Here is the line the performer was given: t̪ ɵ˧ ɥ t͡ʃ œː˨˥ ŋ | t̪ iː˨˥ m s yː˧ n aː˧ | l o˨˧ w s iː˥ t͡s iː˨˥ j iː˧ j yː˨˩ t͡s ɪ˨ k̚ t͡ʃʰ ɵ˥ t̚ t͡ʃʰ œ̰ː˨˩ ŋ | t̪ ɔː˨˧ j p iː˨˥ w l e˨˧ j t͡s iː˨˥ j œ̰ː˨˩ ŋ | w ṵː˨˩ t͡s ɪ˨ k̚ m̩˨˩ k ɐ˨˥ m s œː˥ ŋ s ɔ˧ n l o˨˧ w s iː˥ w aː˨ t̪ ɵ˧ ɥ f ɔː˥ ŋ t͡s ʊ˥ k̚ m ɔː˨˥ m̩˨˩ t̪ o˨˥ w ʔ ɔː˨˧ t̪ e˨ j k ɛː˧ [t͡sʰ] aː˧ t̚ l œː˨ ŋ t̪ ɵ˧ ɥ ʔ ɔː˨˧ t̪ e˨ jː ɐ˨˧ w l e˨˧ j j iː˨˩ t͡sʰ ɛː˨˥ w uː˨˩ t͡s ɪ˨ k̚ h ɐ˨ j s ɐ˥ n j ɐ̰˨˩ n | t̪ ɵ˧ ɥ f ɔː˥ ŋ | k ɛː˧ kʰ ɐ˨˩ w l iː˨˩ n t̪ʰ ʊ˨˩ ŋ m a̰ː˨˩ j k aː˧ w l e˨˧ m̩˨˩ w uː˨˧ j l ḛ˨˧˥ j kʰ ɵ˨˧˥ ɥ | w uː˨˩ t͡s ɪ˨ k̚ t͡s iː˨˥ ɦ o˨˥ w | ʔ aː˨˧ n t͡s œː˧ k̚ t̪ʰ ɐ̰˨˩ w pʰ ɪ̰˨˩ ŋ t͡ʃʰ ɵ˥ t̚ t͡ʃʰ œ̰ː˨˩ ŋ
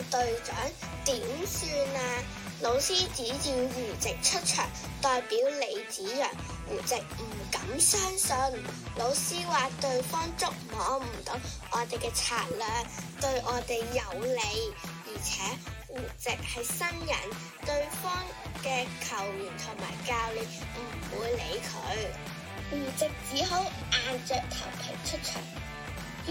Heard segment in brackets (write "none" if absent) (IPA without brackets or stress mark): t͡sʰ